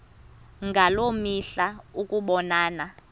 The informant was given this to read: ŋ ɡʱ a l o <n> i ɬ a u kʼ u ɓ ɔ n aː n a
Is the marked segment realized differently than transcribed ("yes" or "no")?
yes